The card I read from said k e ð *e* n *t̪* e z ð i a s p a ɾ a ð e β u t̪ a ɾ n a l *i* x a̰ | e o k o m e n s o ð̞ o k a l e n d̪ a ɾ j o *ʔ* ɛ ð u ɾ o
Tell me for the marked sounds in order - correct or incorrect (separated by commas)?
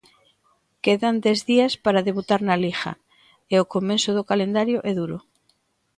incorrect, incorrect, correct, correct